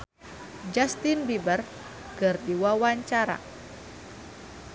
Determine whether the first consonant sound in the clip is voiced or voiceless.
voiced